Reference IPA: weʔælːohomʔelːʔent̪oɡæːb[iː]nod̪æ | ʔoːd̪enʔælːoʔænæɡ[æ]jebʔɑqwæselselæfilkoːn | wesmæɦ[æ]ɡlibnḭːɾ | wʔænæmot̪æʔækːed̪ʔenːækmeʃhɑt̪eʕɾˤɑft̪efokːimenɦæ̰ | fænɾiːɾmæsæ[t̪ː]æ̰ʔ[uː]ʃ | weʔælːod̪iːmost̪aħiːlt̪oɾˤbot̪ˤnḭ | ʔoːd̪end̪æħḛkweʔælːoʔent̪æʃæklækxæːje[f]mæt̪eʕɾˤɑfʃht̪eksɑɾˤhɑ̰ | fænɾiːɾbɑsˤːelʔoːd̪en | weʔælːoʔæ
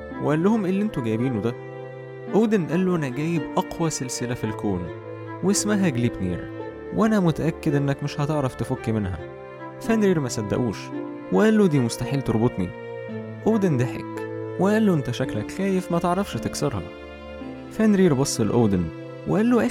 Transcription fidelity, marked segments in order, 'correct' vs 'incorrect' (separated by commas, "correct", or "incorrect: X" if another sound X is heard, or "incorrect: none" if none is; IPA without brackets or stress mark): correct, incorrect: æː, correct, incorrect: d̪ː, correct, correct